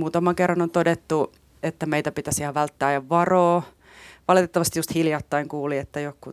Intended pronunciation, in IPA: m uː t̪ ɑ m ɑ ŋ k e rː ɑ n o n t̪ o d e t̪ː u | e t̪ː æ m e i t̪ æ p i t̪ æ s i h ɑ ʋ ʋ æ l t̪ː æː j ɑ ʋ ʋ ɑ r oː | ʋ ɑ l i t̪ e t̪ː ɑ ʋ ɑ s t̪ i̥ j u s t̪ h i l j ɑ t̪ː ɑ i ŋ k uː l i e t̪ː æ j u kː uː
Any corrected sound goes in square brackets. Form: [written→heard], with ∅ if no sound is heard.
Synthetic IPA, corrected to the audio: m uː t̪ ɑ m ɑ ŋ k e rː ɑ n o n t̪ o d e t̪ː u | e t̪ː æ m e i t̪ æ p i t̪ æ s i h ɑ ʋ ʋ æ l t̪ː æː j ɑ ʋ ʋ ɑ r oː | ʋ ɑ l i t̪ e t̪ː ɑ ʋ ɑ s t̪ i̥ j u s t̪ h i l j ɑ t̪ː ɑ i ŋ k uː l i e t̪ː æ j [u→o] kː [uː→u]